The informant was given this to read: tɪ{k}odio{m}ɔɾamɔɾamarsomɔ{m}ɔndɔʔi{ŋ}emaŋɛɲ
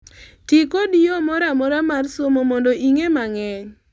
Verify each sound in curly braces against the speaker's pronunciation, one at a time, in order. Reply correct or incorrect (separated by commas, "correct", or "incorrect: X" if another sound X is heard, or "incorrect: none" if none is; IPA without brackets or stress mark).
correct, correct, correct, correct